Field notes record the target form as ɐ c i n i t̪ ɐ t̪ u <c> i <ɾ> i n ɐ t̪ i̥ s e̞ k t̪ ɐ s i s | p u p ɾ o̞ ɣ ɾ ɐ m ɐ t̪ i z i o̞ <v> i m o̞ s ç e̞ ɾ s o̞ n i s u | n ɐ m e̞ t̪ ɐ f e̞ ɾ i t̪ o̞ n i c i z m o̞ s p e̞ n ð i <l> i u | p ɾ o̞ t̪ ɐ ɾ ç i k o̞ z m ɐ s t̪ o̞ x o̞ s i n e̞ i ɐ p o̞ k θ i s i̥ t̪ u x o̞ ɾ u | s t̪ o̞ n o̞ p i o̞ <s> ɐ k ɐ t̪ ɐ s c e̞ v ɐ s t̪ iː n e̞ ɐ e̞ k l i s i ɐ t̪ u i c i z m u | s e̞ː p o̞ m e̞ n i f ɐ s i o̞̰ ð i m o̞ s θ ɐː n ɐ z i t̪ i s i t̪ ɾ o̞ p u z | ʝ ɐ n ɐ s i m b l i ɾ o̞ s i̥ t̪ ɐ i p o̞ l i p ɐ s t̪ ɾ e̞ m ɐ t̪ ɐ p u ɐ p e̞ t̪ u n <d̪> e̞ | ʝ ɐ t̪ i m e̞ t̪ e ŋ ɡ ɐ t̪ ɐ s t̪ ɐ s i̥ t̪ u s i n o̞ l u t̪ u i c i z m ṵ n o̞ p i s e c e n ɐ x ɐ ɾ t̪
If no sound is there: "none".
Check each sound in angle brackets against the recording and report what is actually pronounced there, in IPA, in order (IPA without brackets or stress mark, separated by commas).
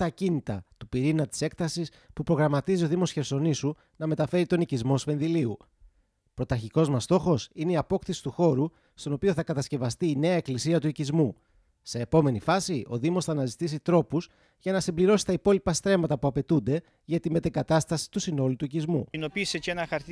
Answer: p, ɾ, ð, l, θ, d̪